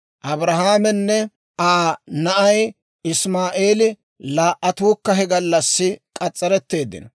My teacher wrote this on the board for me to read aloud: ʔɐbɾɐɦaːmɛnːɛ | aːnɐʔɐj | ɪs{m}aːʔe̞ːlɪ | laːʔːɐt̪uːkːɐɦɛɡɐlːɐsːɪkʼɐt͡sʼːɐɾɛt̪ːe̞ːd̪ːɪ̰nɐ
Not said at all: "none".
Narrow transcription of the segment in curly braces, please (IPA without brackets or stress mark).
m